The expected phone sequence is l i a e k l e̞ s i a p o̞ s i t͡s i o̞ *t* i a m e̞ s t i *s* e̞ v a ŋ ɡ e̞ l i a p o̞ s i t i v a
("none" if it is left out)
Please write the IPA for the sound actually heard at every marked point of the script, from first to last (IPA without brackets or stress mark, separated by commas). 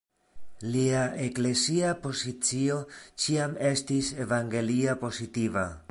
t͡ʃ, s